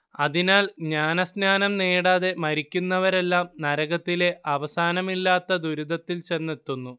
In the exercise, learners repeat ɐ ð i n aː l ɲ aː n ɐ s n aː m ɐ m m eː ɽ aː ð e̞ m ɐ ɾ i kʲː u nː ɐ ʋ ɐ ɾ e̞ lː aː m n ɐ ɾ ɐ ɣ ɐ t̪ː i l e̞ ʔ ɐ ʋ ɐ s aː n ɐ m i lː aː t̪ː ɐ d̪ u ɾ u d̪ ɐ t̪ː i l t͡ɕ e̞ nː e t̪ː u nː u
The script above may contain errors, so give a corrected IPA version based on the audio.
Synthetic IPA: ɐ ð i n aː l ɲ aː n ɐ s n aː n ɐ m n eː ɽ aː ð e̞ m ɐ ɾ i kʲː u nː ɐ ʋ ɐ ɾ e̞ lː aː m n ɐ ɾ ɐ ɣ ɐ t̪ː i l e̞ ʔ ɐ ʋ ɐ s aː n ɐ m i lː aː t̪ː ɐ d̪ u ɾ u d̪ ɐ t̪ː i l t͡ɕ e̞ nː e t̪ː u nː u

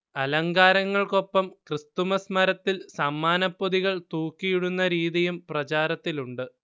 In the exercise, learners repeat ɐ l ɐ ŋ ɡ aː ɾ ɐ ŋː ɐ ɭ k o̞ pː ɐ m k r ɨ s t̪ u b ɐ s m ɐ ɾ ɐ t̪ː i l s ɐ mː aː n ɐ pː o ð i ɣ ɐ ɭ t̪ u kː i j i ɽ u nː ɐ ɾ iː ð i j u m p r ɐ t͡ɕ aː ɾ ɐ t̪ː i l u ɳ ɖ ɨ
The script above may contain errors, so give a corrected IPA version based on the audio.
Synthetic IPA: ɐ l ɐ ŋ ɡ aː ɾ ɐ ŋː ɐ ɭ k o̞ pː ɐ m k r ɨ s t̪ u m ɐ s m ɐ ɾ ɐ t̪ː i l s ɐ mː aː n ɐ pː o ð i ɣ ɐ ɭ t̪ uː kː i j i ɽ u nː ɐ ɾ iː ð i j u m p r ɐ t͡ɕ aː ɾ ɐ t̪ː i l u ɳ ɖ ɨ

